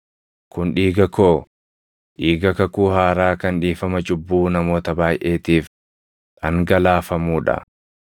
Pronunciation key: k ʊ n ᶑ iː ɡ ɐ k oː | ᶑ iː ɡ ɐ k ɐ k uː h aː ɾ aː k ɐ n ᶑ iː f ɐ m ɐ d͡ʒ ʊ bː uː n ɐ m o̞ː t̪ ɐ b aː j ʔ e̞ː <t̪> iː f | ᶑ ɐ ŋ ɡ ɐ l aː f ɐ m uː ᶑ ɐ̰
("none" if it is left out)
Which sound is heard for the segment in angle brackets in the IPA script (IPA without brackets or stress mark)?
t̪